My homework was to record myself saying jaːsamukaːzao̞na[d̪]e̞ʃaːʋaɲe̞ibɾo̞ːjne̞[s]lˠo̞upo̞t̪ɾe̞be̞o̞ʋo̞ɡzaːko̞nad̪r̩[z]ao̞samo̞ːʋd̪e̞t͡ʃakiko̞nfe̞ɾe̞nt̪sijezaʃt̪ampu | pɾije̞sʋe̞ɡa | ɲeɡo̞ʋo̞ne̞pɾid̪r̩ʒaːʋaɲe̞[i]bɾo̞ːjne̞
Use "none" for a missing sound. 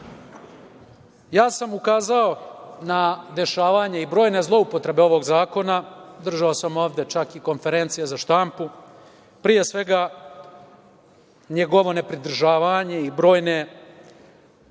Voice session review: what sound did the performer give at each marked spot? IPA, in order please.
d̪, z, ʒ, i

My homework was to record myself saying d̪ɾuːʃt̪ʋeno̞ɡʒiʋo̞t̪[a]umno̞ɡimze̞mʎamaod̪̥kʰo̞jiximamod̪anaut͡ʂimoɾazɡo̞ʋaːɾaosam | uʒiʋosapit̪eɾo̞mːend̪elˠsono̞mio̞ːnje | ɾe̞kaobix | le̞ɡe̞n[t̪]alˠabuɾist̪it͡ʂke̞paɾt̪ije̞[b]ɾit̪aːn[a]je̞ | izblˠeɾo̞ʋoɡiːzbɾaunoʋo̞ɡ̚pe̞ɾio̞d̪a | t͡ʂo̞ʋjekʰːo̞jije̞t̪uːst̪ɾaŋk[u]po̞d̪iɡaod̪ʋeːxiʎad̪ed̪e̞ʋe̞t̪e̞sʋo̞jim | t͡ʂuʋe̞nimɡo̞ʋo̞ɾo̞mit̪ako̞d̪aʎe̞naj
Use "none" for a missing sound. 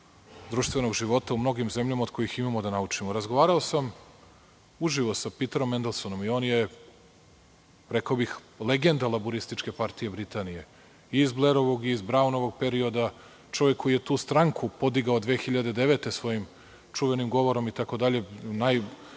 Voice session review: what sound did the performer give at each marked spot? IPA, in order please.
a, d̪, b, i, u

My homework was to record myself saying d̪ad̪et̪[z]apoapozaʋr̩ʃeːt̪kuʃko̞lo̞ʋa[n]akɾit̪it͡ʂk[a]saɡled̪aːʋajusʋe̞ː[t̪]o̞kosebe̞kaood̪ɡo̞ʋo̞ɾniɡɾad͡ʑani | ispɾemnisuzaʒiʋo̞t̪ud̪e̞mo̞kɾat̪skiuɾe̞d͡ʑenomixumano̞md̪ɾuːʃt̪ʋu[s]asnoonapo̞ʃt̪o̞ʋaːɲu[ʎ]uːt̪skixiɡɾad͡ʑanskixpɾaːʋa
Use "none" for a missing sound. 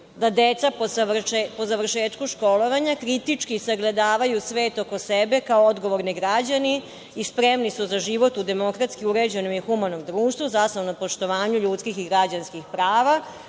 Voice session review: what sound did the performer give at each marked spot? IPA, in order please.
s, ɲ, i, t̪, z, ʎ

